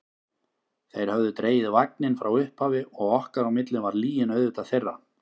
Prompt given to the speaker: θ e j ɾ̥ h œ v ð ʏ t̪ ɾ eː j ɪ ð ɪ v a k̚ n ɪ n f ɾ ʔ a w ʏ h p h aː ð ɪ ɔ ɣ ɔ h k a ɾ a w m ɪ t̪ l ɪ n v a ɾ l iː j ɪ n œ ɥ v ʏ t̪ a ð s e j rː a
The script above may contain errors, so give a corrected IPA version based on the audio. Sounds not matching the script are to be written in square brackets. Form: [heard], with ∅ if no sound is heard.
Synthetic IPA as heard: θ e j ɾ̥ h œ v ð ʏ t̪ ɾ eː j ɪ ð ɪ v a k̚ n ɪ n f ɾ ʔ a w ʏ h p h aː [v] ɪ ɔ ɣ ɔ h k a ɾ a w m ɪ t̪ l ɪ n v a ɾ l iː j ɪ n œ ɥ [ð] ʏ t̪ a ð [θ] e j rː a